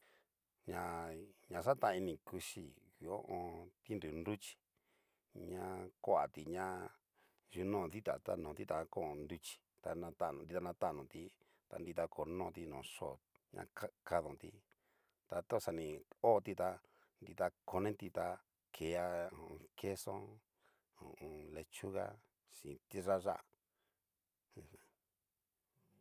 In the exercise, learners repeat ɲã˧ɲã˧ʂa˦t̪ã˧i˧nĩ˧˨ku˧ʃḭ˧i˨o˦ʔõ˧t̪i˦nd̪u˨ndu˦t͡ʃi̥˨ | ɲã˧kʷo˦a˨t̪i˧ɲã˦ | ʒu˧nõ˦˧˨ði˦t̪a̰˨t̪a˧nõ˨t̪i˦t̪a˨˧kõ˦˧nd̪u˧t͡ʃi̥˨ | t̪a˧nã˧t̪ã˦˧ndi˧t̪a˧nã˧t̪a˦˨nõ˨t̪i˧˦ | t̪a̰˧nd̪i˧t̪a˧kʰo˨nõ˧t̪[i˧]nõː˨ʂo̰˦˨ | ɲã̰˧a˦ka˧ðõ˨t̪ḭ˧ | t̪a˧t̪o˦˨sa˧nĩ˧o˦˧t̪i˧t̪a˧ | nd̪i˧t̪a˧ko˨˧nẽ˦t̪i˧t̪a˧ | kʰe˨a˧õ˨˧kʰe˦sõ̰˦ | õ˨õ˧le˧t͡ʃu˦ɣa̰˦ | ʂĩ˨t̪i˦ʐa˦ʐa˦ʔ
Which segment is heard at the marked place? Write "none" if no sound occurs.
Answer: i˧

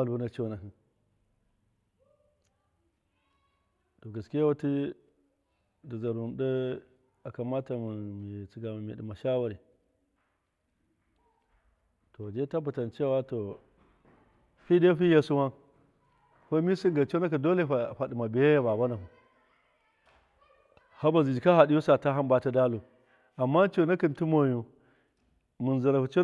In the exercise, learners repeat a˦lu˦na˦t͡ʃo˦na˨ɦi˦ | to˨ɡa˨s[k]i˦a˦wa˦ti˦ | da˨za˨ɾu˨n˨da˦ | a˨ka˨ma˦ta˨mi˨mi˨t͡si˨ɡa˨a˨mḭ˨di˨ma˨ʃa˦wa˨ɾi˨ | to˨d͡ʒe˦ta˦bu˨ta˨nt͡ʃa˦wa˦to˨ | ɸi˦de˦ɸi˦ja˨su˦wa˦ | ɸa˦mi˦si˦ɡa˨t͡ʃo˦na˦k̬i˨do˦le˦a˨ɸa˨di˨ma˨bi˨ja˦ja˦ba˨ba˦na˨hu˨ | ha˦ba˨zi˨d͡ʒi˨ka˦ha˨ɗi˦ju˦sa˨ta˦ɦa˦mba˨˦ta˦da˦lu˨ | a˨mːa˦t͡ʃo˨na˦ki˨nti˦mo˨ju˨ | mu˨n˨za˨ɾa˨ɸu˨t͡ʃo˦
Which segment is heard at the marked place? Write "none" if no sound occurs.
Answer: k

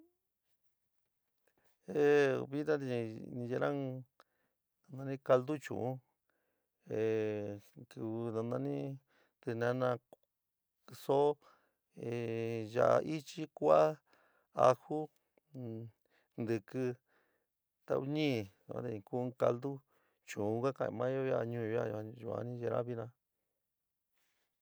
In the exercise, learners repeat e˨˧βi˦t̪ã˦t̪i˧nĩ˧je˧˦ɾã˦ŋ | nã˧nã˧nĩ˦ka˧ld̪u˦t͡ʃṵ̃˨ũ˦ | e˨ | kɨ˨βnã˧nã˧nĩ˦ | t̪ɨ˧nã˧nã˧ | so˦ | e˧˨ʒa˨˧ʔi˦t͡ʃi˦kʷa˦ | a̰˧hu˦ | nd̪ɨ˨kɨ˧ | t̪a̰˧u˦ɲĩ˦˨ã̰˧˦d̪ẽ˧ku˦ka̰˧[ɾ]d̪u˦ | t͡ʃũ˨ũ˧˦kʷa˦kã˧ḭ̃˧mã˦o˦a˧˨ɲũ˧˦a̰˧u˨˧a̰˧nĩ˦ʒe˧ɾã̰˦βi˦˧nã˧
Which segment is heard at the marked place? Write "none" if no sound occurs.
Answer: l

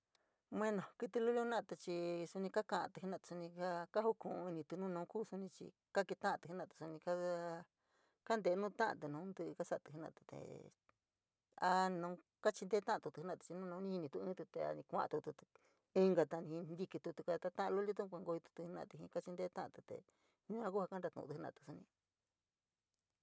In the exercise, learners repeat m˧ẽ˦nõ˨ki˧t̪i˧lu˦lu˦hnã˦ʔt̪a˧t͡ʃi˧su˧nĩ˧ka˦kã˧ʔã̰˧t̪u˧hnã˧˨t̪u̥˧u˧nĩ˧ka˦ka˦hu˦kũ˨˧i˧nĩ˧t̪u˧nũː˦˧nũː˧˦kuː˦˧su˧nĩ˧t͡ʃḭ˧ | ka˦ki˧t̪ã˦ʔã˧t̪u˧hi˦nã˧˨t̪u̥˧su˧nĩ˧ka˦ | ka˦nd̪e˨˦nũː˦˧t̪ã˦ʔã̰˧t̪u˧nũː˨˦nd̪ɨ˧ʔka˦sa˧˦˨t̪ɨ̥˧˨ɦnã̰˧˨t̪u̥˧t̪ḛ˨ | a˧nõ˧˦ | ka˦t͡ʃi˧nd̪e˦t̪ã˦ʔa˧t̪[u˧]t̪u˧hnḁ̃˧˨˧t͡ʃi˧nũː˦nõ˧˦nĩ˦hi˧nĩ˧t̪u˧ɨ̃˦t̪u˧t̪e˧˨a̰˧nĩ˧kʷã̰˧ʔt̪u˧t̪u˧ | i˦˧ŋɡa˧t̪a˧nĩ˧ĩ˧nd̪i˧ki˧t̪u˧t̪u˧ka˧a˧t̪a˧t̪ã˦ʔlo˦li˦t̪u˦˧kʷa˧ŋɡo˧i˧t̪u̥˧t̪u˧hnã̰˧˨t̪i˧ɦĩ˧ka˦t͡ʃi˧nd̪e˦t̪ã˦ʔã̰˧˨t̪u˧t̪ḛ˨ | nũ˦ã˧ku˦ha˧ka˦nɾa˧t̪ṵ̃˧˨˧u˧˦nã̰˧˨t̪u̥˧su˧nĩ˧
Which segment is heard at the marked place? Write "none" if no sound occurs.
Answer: u˧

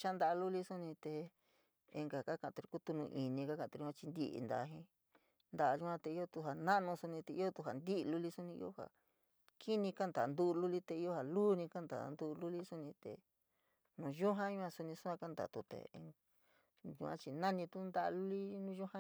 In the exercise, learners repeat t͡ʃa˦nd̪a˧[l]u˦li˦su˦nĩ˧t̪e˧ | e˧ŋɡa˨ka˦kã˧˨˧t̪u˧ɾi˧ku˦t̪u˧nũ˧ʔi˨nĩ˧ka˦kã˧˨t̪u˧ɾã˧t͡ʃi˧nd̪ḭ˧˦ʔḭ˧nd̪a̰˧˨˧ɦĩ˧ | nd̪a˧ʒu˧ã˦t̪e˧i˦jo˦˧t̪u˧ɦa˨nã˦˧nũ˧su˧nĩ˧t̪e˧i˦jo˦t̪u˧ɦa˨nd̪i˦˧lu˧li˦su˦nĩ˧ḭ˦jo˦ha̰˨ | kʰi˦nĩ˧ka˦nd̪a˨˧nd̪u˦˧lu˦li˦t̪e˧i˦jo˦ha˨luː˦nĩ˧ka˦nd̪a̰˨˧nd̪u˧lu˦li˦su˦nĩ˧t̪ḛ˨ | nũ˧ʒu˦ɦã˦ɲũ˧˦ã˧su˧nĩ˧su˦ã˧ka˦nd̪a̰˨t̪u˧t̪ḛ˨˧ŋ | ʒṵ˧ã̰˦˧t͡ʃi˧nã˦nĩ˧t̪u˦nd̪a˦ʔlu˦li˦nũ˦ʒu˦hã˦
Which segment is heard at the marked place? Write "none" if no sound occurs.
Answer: l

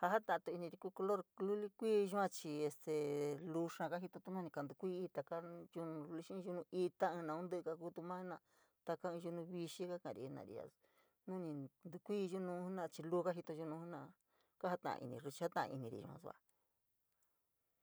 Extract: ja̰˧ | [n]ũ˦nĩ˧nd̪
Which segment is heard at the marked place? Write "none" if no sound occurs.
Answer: n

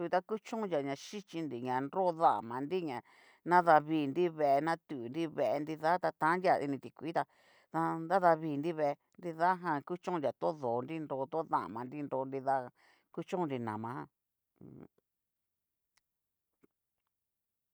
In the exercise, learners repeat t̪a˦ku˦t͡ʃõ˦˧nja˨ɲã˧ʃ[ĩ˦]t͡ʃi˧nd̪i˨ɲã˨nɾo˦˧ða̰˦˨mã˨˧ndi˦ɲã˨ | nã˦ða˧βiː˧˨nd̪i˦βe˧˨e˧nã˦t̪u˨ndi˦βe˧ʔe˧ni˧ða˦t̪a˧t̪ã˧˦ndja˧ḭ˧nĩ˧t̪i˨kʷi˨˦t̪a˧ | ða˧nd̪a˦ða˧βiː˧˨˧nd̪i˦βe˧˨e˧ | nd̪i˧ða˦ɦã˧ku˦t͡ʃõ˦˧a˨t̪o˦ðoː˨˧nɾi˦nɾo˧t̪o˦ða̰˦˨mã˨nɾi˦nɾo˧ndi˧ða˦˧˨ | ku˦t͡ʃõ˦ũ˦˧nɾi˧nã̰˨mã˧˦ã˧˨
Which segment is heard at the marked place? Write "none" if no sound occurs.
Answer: i˦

